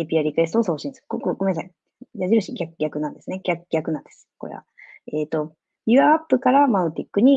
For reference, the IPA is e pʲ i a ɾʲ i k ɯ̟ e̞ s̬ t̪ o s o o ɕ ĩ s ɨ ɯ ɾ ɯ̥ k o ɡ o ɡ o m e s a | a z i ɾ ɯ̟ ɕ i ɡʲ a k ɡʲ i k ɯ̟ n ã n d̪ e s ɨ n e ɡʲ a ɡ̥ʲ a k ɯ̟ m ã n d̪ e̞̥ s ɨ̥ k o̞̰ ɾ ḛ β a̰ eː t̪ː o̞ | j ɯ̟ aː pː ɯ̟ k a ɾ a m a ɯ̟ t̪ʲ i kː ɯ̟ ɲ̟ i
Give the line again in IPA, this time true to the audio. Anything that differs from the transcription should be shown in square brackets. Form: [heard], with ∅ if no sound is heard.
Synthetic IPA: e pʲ i a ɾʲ i k ɯ̟ e̞ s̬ t̪ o s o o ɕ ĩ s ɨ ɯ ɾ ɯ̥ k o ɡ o ɡ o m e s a | a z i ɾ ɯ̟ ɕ i ɡʲ a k ɡʲ [a] k ɯ̟ n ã n d̪ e s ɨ n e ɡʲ a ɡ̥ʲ a k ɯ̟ [n] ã n d̪ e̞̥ s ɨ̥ k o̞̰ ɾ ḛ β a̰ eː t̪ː o̞ | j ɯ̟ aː pː ɯ̟ k a ɾ a m a ɯ̟ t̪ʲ i kː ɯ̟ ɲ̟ i

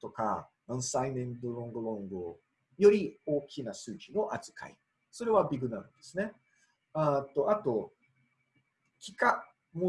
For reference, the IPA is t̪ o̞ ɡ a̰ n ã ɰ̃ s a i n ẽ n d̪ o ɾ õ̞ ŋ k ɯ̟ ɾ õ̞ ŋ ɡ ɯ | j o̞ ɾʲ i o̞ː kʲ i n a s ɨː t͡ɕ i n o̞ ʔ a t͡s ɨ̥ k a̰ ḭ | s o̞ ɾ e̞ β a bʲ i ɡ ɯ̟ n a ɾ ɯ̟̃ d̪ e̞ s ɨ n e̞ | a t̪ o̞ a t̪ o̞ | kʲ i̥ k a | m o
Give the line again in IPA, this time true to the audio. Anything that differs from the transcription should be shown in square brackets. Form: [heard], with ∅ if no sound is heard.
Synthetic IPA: t̪ o̞ [k] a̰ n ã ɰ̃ s a i n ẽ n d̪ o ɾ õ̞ ŋ [ɡ] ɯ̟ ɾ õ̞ ŋ ɡ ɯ | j o̞ ɾʲ i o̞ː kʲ i n a s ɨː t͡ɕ i n o̞ ʔ a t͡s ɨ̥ k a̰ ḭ | s o̞ ɾ e̞ β a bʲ i ɡ ɯ̟ n a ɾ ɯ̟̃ d̪ e̞ s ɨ n e̞ | a t̪ o̞ a t̪ o̞ | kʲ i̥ k a | m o

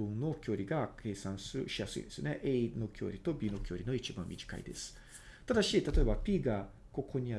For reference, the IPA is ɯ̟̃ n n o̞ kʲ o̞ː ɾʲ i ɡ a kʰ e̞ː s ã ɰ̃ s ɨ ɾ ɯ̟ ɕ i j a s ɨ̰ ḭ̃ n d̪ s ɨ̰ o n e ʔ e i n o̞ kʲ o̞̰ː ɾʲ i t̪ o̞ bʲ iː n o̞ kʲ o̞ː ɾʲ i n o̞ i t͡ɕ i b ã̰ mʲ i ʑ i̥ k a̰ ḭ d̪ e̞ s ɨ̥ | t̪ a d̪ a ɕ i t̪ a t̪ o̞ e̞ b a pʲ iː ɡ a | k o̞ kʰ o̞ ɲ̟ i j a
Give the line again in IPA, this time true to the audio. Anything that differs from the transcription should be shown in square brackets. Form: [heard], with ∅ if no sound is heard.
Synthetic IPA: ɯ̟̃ n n o̞ kʲ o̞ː ɾʲ i ɡ a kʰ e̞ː s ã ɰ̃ s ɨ ɾ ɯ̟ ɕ i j a s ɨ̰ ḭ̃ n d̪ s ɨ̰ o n e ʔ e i n o̞ kʲ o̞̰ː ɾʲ i t̪ o̞ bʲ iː n o̞ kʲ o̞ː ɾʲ i n o̞ i t͡ɕ i b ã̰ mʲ i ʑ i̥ k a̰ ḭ d̪ e̞ s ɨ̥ | t̪ a d̪ a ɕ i t̪ a t̪ o̞ e̞ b a pʲ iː ɡ a | k o̞ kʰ o̞ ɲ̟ i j a

